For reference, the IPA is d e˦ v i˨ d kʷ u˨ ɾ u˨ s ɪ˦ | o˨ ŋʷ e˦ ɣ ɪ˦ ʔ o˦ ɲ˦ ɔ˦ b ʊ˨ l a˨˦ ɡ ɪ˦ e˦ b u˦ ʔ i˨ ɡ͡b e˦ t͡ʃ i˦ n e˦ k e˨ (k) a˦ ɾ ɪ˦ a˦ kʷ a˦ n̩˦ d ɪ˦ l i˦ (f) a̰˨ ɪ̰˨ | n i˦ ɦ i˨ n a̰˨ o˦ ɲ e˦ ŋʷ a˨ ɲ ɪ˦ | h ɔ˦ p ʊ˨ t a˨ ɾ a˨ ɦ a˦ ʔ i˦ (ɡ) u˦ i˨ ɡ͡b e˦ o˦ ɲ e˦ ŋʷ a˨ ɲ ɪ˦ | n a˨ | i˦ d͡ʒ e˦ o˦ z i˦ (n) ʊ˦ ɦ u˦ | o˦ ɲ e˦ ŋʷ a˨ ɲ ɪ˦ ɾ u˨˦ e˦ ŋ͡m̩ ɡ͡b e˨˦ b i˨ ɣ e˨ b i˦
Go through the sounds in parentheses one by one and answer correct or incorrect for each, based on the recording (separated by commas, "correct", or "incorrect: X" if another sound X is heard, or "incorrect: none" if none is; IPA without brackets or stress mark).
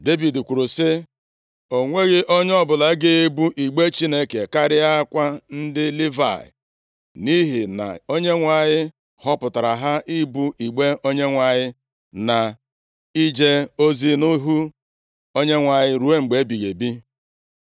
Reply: correct, incorrect: v, incorrect: b, correct